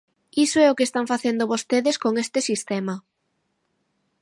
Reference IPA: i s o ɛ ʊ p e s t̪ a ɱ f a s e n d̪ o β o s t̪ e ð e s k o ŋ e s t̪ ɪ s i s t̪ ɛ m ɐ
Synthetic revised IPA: i s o ɛ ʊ k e s t̪ a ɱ f a θ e n d̪ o β o s t̪ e ð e s k o ŋ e s t̪ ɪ s i s t̪ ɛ m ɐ